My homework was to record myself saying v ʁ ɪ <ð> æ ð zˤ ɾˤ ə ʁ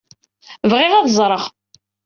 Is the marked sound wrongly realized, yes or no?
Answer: yes